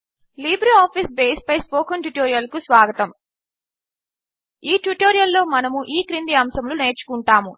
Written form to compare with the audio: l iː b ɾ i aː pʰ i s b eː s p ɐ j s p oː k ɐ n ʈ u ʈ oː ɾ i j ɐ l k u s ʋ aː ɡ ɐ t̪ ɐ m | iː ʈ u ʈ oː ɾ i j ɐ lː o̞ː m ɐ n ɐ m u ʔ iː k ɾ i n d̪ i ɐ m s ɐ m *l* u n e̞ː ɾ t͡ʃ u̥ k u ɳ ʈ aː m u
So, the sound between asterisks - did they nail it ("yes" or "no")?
yes